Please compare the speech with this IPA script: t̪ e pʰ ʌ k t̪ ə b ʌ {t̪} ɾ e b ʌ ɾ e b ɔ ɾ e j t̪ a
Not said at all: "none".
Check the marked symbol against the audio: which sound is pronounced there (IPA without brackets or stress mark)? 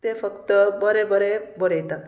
none